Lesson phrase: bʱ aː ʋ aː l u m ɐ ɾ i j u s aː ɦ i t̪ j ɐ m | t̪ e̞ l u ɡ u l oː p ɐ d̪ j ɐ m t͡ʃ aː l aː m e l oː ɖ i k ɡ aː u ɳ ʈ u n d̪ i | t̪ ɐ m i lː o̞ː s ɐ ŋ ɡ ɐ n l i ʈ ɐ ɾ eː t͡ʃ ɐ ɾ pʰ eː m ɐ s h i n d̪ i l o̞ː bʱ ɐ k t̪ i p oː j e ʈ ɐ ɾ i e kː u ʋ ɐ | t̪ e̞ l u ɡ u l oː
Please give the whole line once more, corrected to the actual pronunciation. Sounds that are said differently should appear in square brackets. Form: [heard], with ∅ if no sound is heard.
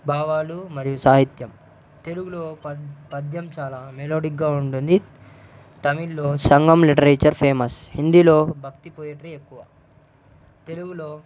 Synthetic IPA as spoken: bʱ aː ʋ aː l u m ɐ ɾ i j u s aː ɦ i t̪ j ɐ m | t̪ e̞ l u ɡ u l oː p ɐ d̪ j ɐ m t͡ʃ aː l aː m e l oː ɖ i k ɡ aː u ɳ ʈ u n d̪ i | t̪ ɐ m i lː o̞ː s ɐ ŋ ɡ ɐ [m] l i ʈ ɐ ɾ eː t͡ʃ ɐ ɾ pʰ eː m ɐ s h i n d̪ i l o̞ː bʱ ɐ k t̪ i p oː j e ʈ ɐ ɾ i e kː u ʋ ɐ | t̪ e̞ l u ɡ u l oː

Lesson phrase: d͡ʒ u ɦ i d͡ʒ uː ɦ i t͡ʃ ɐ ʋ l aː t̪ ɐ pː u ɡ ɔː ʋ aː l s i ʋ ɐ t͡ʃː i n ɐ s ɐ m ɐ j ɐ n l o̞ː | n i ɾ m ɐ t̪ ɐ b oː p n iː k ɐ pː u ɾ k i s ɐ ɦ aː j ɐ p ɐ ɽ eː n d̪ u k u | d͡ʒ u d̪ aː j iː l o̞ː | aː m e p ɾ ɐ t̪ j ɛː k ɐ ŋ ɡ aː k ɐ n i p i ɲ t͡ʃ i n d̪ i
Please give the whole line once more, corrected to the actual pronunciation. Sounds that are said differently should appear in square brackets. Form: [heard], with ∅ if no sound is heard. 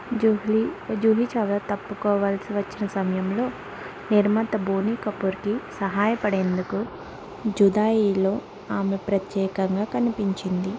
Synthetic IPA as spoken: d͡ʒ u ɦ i d͡ʒ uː ɦ i t͡ʃ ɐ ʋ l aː t̪ ɐ pː u [k] ɔː ʋ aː l s i ʋ ɐ t͡ʃː i n ɐ s ɐ m ɐ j ɐ [m] l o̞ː | n i ɾ m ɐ t̪ ɐ b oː [∅] n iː k ɐ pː u ɾ k i s ɐ ɦ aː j ɐ p ɐ ɽ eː n d̪ u k u | d͡ʒ u d̪ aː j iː l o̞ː | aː m e p ɾ ɐ t̪ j ɛː k ɐ ŋ ɡ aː k ɐ n i p i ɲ t͡ʃ i n d̪ i

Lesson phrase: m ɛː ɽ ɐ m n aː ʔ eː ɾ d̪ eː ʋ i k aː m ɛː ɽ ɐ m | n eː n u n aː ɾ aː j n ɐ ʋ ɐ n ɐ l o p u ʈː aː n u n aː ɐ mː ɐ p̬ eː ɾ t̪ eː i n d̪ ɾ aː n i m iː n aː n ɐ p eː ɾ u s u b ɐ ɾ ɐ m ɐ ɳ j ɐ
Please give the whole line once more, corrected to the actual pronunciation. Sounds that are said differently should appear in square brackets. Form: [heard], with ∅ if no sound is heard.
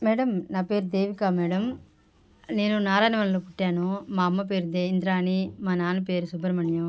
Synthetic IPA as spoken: m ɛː ɽ ɐ m n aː [p] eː ɾ d̪ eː ʋ i k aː m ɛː ɽ ɐ m | n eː n u n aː ɾ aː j n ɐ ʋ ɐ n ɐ l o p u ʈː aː n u [m] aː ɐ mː ɐ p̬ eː ɾ [d̪] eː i n d̪ ɾ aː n i m [aː] n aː n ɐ p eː ɾ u s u b ɐ ɾ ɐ m ɐ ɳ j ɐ

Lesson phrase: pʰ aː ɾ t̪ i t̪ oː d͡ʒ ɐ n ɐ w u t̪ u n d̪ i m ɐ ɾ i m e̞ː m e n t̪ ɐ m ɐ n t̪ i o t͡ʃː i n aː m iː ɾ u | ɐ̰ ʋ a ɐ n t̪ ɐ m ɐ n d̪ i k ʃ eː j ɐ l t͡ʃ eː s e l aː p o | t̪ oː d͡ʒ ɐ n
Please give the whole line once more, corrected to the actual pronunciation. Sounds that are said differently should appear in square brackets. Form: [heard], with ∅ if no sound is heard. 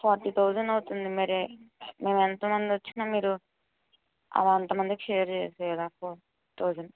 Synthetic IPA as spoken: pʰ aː ɾ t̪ i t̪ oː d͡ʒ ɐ n ɐ w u t̪ u n d̪ i m ɐ ɾ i m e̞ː m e n t̪ ɐ m ɐ n [d̪] i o t͡ʃː i n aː m iː ɾ u | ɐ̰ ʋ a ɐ n t̪ ɐ m ɐ n d̪ i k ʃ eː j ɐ [ɾ] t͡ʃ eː s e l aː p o | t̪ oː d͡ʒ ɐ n

